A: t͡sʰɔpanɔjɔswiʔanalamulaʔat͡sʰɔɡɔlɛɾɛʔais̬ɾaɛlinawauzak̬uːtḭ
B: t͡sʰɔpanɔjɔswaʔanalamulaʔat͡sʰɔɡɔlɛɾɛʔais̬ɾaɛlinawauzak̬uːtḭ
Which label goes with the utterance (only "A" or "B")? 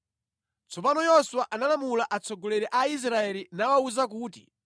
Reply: B